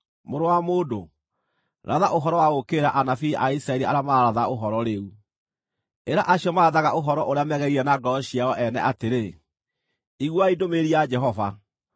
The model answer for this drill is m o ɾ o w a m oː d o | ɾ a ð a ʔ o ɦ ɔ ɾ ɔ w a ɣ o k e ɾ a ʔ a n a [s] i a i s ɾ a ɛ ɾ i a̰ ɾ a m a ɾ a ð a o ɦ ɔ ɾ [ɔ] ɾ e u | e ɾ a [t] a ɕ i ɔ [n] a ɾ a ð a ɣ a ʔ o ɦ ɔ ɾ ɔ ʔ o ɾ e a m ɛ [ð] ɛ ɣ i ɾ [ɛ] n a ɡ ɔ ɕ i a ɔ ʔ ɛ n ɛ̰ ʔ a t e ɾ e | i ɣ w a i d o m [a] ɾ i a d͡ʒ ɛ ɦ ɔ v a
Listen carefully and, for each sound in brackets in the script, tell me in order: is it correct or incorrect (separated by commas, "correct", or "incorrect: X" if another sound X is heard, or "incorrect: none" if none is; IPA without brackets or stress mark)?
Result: incorrect: f, correct, incorrect: ʔ, incorrect: m, incorrect: ɣ, correct, incorrect: e